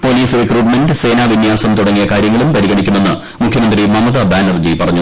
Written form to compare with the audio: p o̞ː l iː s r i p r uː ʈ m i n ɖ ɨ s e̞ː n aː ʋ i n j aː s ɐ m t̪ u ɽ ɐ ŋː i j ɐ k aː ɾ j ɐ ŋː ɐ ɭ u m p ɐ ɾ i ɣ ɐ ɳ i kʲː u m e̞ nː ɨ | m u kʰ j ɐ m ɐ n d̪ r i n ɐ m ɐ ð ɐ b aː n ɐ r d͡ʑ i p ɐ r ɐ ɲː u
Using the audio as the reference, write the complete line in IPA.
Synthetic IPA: p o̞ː l iː s r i k r uː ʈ m e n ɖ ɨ s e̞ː n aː ʋ i n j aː s ɐ m t̪ u ɽ ɐ ŋː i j ɐ k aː ɾ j ɐ ŋː ɐ ɭ u m p ɐ ɾ i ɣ ɐ ɳ i kʲː u m e̞ nː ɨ | m u kʰ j ɐ m ɐ n d̪ r i m ɐ m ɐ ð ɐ b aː n ɐ r d͡ʑ i p ɐ r ɐ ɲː u